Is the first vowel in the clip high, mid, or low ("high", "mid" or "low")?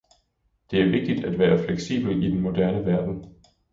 mid